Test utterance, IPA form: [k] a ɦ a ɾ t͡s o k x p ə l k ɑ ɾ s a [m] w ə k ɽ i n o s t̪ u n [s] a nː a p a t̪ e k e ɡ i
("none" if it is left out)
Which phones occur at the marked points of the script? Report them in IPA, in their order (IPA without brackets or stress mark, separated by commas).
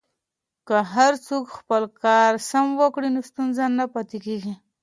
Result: k, m, z